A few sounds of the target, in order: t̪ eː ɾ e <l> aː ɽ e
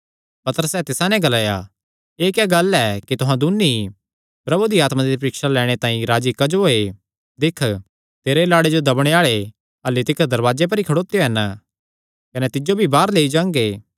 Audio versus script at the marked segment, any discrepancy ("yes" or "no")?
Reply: no